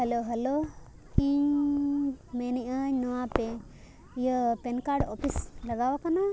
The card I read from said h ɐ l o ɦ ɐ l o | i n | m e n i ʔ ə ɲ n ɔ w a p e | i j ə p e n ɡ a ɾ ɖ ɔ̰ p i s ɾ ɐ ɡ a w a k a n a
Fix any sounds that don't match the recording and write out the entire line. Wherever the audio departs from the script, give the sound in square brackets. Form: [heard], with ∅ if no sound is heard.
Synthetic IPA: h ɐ l o ɦ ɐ l o | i [ɲ] | m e n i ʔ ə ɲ n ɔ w a p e | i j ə p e n [k] a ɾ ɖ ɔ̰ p i s [l] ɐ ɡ a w a k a n a